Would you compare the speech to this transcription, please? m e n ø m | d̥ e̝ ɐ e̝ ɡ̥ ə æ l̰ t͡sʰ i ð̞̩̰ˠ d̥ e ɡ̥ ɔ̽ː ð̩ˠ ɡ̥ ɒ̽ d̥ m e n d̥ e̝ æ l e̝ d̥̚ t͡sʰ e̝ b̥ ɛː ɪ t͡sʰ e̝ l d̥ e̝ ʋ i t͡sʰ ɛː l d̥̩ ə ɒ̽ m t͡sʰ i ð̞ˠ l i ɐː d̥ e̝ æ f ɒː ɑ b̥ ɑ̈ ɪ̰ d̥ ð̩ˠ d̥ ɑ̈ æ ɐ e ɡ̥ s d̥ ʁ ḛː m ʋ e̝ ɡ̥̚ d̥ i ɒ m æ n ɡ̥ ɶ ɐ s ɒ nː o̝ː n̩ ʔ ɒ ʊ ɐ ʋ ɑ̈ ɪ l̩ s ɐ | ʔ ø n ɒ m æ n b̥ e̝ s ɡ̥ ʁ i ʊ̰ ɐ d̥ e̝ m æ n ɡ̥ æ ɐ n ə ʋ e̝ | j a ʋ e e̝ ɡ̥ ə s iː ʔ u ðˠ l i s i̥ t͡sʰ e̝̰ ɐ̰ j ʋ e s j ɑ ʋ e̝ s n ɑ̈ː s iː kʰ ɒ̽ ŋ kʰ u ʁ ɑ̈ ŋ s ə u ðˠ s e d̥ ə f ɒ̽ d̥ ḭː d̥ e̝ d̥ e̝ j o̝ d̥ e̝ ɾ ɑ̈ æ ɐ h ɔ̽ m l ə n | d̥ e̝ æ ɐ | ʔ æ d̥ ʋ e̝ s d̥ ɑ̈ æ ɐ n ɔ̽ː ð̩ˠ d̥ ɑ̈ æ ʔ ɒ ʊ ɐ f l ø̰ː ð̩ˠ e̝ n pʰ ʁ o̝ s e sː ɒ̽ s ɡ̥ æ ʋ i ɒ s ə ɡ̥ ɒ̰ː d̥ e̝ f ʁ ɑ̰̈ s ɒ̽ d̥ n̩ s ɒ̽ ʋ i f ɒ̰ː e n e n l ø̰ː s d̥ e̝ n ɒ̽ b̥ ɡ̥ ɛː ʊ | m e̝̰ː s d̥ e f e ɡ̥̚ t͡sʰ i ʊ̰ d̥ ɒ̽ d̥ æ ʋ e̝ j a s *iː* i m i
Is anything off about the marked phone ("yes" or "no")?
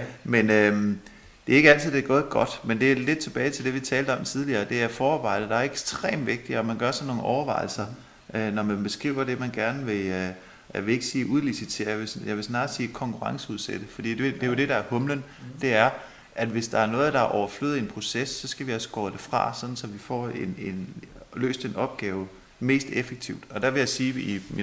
no